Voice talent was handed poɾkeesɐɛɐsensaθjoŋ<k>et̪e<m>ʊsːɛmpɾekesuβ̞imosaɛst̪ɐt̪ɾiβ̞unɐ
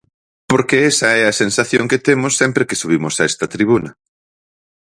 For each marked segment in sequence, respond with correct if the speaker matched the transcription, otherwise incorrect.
correct, correct

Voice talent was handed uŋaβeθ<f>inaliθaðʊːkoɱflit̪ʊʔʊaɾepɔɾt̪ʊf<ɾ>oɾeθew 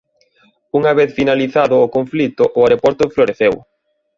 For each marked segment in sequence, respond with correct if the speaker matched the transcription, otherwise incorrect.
correct, incorrect

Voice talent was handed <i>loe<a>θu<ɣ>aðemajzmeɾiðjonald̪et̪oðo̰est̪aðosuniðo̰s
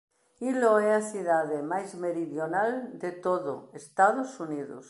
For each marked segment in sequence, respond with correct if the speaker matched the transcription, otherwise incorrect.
correct, correct, incorrect

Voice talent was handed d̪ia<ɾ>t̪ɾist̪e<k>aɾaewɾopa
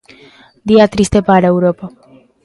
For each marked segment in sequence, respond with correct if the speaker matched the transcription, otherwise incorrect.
incorrect, incorrect

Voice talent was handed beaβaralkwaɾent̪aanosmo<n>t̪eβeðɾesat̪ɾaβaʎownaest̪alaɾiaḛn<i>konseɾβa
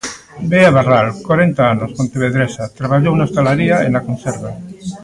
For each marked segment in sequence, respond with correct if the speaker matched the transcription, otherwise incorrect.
correct, incorrect

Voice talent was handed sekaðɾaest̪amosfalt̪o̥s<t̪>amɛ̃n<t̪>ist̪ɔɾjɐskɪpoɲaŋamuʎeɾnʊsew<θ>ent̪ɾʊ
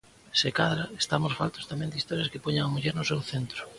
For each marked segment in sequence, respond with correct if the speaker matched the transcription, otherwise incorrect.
correct, incorrect, correct

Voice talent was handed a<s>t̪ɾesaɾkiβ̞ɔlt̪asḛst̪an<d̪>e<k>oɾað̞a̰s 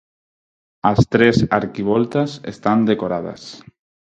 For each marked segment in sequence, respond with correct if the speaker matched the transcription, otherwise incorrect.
correct, correct, correct

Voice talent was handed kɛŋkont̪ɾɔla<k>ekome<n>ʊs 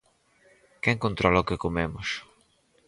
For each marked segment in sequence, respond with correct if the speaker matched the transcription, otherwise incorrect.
correct, incorrect

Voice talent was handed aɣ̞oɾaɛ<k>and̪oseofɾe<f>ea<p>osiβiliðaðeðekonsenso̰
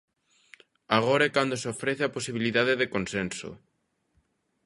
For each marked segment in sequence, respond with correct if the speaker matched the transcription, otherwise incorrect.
correct, incorrect, correct

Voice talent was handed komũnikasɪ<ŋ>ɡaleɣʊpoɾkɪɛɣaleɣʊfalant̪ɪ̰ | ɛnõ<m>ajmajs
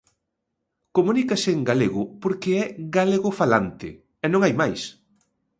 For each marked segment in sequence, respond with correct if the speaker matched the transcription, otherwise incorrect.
correct, incorrect

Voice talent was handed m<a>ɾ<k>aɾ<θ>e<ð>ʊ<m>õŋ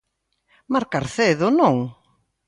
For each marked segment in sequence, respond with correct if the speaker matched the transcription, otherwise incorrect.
correct, correct, correct, correct, incorrect

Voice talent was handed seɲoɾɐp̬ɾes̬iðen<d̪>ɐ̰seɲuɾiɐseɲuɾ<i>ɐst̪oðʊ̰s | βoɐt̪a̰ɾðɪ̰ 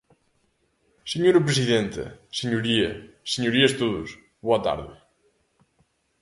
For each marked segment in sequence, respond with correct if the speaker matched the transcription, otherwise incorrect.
incorrect, correct

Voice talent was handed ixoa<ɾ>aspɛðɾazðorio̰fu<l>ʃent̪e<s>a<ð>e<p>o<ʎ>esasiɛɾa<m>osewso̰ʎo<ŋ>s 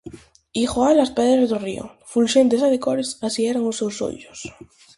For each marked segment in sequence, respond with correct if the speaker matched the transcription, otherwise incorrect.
incorrect, correct, correct, correct, incorrect, incorrect, incorrect, incorrect

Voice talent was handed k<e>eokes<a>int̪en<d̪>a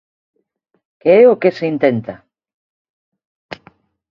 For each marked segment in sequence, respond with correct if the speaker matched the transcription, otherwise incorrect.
correct, incorrect, incorrect

